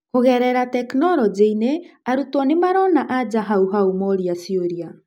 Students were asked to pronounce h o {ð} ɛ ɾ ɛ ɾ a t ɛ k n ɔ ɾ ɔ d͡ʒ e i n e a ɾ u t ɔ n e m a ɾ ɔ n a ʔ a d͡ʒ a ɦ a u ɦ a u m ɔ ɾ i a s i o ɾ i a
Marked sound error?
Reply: yes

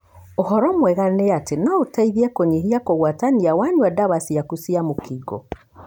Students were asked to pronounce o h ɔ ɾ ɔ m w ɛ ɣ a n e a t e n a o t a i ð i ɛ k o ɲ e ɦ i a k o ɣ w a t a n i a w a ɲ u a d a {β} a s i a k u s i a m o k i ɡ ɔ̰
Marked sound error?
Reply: no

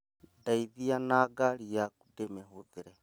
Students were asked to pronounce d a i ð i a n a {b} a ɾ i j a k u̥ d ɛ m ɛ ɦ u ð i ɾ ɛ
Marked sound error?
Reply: yes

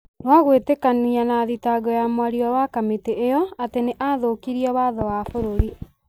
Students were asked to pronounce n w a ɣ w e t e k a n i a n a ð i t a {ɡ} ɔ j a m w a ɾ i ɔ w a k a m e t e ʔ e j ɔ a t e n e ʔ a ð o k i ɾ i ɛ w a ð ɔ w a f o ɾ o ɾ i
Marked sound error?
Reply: no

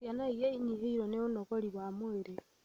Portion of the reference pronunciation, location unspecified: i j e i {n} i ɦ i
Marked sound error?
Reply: yes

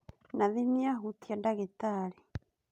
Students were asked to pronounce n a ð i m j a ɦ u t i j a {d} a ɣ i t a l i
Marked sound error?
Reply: no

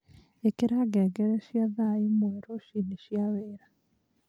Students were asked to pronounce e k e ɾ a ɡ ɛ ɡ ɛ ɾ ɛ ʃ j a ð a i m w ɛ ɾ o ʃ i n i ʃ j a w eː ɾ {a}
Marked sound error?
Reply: no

